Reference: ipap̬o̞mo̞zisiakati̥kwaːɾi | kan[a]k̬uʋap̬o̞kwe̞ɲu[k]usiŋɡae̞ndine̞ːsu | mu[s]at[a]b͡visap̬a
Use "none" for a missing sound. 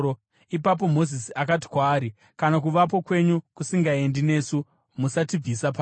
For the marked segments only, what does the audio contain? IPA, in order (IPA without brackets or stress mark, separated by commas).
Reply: a, k, s, i